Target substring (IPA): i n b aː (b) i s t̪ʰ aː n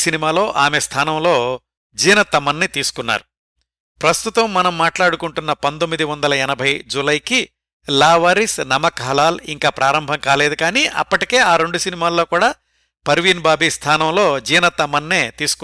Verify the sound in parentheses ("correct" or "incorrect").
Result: correct